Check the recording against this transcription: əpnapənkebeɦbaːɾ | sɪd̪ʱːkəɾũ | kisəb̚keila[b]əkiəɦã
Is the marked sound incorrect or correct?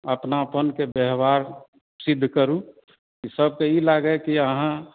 incorrect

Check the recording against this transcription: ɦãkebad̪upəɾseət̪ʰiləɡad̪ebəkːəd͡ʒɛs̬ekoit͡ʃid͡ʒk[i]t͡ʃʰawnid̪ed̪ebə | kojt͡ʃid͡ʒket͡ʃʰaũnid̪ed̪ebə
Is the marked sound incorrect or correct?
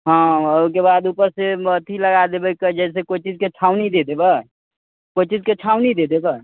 incorrect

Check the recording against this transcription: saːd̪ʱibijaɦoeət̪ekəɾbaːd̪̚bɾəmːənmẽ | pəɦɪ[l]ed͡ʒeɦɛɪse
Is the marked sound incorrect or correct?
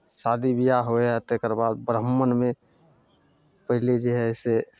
correct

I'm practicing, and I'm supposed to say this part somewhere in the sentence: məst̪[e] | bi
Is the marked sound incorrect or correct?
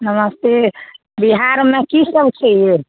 correct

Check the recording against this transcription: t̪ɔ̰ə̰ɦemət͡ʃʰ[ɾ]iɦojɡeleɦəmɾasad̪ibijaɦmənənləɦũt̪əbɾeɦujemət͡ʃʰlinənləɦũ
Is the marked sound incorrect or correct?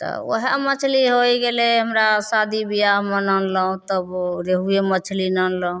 incorrect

